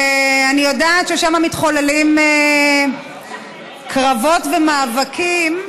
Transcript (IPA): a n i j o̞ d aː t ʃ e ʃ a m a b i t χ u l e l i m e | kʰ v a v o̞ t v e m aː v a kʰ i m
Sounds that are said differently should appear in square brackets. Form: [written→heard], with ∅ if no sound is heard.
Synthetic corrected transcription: a n i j o̞ d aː t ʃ e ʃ a m a [b→m] i t χ [u→o] l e l i m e | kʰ [v→ʁ] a v o̞ t v e m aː v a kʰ i m